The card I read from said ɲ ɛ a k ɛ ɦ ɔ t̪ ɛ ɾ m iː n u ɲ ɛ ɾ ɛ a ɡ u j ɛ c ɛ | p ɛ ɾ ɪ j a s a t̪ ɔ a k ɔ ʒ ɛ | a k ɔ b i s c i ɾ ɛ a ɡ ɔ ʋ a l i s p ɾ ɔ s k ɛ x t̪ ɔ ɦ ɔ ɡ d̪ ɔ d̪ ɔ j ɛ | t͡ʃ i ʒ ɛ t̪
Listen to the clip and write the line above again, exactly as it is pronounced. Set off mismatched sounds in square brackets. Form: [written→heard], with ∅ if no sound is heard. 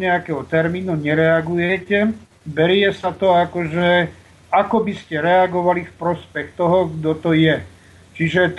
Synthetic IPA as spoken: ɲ ɛ a k ɛ ɦ ɔ t̪ ɛ ɾ m iː n u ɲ ɛ ɾ ɛ a ɡ u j ɛ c ɛ | [p→b] ɛ ɾ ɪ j [a→ɛ] s a t̪ ɔ a k ɔ ʒ ɛ | a k ɔ b i s c [i→ɛ] ɾ ɛ a ɡ ɔ ʋ a l i [s→f] p ɾ ɔ s [k→p] ɛ x t̪ ɔ ɦ ɔ ɡ d̪ ɔ [d̪→t̪] ɔ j ɛ | t͡ʃ i ʒ ɛ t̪